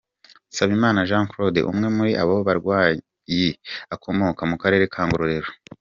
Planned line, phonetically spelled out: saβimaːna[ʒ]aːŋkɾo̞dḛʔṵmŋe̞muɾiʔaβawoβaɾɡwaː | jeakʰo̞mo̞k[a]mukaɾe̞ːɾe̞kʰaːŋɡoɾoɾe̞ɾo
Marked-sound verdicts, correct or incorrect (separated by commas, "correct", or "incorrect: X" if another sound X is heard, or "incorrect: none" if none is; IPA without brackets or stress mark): correct, correct